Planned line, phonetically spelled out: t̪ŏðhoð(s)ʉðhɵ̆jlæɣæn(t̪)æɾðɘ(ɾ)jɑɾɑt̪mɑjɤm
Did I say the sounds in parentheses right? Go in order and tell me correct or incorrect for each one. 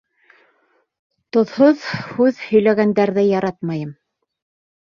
incorrect, incorrect, incorrect

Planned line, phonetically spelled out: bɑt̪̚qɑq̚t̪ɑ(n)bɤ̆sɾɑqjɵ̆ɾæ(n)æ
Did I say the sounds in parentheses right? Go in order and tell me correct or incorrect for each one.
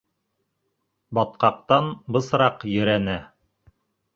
correct, correct

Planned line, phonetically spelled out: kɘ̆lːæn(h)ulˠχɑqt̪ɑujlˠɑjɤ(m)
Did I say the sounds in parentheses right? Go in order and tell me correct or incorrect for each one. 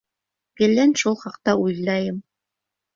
incorrect, correct

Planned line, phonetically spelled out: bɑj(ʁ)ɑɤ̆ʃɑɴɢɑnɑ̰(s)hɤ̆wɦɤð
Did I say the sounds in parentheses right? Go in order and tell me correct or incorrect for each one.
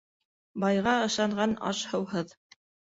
correct, incorrect

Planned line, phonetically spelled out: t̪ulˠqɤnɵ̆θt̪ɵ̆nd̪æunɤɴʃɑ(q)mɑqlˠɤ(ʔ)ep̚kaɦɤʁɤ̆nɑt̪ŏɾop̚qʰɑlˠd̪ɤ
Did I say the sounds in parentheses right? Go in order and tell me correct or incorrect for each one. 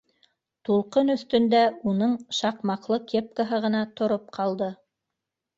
correct, incorrect

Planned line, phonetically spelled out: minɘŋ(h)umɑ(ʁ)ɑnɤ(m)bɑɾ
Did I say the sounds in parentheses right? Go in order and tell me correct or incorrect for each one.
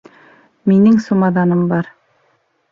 incorrect, incorrect, correct

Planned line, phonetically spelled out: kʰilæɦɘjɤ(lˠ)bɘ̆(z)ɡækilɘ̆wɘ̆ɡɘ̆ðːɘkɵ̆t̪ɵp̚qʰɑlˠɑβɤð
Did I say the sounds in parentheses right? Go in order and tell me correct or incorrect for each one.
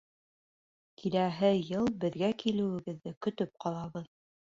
correct, incorrect

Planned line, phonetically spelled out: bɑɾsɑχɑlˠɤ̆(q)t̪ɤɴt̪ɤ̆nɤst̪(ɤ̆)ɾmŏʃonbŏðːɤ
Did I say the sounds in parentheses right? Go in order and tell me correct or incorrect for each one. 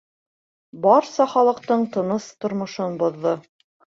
correct, incorrect

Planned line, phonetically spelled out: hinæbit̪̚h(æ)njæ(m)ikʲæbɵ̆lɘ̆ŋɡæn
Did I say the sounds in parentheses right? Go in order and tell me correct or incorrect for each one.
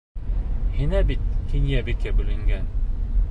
incorrect, incorrect

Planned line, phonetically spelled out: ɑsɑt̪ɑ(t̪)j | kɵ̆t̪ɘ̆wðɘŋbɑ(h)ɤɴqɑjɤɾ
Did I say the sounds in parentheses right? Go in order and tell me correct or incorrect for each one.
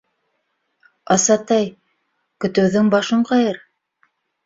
incorrect, incorrect

